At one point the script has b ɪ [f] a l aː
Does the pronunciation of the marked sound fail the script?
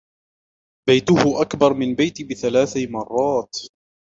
yes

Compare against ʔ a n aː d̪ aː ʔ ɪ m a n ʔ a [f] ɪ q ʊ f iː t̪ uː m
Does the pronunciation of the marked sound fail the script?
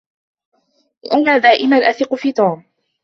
yes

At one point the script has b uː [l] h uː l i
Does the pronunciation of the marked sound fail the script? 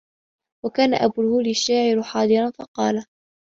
no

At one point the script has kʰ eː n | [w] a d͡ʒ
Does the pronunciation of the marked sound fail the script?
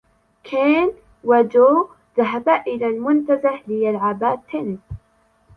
no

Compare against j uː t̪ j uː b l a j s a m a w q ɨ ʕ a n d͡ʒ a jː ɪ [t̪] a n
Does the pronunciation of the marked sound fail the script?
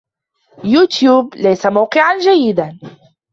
yes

